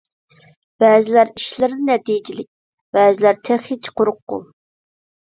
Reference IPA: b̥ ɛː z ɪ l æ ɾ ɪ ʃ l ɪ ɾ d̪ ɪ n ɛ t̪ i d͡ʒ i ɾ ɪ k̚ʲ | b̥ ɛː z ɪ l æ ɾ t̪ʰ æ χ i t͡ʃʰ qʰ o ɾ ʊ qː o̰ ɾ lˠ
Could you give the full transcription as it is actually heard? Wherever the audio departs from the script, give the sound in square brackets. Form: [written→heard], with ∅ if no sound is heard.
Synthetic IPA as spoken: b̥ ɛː z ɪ l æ ɾ [ɪ→i] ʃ l ɪ ɾ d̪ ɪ n ɛ t̪ i d͡ʒ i [ɾ→l] ɪ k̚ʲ | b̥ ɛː z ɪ l æ ɾ t̪ʰ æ χ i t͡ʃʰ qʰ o ɾ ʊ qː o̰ [ɾ→∅] lˠ